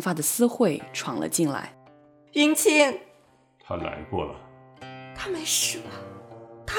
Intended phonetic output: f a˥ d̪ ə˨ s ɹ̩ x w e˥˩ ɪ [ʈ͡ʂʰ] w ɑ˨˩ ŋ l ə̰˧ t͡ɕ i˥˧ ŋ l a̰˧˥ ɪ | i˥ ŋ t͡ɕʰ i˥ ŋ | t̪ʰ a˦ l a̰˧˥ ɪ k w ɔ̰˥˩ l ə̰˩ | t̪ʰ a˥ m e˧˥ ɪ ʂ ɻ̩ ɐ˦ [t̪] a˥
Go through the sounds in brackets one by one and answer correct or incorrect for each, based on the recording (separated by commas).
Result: correct, incorrect